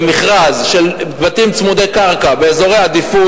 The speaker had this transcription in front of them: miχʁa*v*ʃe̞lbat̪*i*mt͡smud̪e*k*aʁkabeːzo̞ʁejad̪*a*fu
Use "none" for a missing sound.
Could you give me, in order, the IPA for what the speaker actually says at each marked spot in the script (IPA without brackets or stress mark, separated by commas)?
z, i, k, i